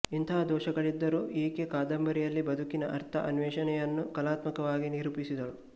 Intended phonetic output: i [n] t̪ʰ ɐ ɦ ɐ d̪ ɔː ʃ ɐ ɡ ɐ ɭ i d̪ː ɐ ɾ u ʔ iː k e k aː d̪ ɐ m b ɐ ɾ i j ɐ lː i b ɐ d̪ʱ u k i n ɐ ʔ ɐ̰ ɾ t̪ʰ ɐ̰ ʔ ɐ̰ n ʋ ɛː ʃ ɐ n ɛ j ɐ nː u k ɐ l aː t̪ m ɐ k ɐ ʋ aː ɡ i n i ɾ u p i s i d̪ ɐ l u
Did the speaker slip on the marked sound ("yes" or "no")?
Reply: no